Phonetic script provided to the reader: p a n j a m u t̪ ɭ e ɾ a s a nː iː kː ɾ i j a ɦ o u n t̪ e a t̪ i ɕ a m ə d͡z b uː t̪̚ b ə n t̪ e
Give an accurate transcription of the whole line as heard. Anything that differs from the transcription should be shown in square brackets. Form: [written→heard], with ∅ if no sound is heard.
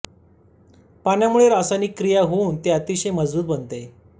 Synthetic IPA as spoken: p a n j a m u [t̪→∅] ɭ e ɾ a s a [nː→n] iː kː ɾ i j a ɦ o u n t̪ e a t̪ i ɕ [a→e] m ə d͡z b uː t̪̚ b ə n t̪ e